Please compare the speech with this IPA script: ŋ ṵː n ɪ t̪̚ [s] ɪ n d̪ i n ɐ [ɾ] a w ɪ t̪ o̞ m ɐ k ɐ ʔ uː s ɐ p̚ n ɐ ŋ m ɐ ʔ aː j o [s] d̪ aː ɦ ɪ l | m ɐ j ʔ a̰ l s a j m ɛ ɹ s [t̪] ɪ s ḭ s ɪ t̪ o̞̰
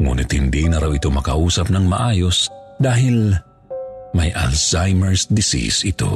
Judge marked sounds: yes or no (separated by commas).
no, yes, yes, no